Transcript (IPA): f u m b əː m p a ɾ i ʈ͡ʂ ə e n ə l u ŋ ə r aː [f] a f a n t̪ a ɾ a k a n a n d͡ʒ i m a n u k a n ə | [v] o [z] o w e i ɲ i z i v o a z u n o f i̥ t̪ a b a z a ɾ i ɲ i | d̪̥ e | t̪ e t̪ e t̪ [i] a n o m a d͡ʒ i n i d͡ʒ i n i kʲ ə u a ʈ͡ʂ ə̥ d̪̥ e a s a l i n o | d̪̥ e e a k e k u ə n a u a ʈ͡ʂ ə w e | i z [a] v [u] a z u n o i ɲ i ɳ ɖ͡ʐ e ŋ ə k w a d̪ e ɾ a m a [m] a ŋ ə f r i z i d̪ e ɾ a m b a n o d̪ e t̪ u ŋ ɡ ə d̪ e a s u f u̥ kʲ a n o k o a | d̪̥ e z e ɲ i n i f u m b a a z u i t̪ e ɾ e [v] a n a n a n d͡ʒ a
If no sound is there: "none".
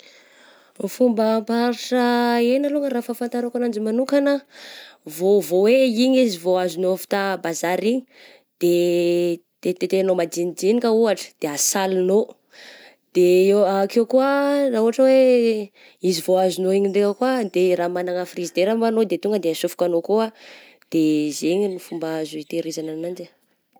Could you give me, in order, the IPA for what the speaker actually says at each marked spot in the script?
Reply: f, v, v, e, i, o, n, z

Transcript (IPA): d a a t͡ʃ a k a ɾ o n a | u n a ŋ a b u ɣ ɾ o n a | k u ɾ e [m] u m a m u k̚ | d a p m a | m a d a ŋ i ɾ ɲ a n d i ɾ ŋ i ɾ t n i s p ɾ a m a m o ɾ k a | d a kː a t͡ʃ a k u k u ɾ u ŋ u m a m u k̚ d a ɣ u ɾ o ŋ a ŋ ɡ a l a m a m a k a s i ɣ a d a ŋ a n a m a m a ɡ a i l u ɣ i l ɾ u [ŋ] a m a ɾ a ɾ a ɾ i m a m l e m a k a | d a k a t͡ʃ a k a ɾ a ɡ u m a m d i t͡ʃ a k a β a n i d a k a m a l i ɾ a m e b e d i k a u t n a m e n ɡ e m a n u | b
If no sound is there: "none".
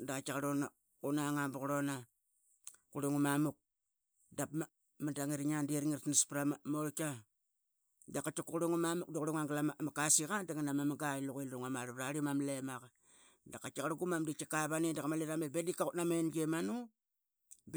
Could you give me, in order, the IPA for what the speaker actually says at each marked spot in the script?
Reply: ŋ, ŋ

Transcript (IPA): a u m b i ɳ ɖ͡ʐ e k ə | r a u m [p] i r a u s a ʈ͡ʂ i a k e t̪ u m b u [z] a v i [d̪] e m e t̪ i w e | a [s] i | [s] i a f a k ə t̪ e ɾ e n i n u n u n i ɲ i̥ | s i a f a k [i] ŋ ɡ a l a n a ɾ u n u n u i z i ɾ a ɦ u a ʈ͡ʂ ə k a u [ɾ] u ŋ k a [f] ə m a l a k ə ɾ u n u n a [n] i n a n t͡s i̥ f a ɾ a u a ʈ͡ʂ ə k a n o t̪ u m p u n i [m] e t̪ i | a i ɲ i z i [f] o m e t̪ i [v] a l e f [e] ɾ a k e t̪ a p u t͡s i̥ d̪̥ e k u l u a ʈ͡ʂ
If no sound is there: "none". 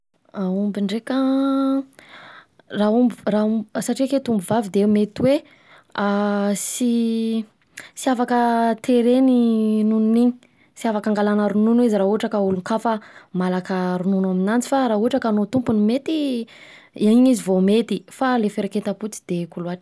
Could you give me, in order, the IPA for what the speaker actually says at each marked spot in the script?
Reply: b, v, d̪, s, s, a, l, f, m, m, v, f, e

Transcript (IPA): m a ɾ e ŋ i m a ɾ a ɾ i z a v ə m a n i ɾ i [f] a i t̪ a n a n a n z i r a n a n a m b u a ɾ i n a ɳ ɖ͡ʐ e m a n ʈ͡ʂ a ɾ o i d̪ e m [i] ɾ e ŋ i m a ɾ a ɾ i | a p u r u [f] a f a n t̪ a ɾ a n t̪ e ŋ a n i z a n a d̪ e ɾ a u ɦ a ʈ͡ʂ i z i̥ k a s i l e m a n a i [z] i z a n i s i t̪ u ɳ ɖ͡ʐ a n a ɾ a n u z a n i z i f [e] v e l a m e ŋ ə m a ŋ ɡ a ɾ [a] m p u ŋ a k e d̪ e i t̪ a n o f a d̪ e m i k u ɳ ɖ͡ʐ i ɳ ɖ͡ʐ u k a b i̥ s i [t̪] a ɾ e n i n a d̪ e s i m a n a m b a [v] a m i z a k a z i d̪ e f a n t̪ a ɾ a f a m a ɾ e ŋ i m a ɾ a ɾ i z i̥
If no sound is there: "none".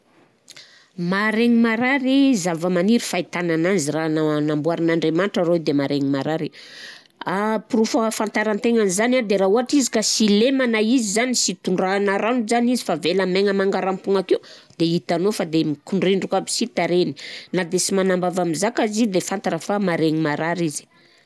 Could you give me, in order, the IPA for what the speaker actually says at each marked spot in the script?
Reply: f, a, f, z, a, a, t̪, v

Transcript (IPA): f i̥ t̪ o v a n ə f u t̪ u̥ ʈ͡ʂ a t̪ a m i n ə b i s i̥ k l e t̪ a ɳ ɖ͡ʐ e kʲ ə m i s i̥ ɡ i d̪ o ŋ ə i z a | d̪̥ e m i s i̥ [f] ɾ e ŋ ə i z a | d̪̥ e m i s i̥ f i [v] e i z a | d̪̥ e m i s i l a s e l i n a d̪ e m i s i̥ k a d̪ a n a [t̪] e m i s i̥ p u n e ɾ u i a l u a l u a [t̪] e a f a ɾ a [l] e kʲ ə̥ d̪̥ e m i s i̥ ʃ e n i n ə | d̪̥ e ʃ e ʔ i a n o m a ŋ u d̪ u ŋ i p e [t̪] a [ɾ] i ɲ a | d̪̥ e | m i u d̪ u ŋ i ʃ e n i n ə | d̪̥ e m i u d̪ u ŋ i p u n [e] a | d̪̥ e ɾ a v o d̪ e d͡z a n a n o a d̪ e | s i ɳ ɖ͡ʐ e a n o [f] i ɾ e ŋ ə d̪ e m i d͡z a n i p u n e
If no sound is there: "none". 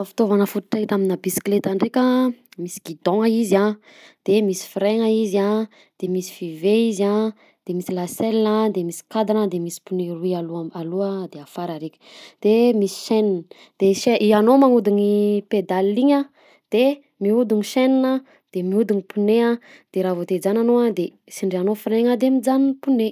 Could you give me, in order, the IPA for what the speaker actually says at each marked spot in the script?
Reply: f, v, d̪, d̪, ɾ, d̪, l, e, f

